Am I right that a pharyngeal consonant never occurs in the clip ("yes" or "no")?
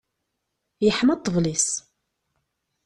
no